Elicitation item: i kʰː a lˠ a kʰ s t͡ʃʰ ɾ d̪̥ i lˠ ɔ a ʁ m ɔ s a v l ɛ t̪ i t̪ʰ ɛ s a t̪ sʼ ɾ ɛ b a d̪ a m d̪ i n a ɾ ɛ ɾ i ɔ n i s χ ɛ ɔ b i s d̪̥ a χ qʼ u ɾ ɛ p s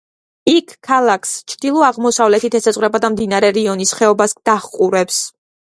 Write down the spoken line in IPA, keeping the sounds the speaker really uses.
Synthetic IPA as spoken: i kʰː a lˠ a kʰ s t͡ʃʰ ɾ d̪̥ i lˠ ɔ a ʁ m ɔ s a v l ɛ t̪ i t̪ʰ ɛ s a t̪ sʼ ɾ ɛ b a d̪ a m d̪ i n a ɾ ɛ ɾ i ɔ n i s χ ɛ ɔ b a s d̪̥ a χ qʼ u ɾ ɛ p s